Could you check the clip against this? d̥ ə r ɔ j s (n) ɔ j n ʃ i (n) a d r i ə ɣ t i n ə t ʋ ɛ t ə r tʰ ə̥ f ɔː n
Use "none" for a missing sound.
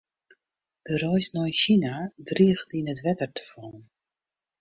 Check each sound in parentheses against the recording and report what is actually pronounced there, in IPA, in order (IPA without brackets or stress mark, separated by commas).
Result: n, n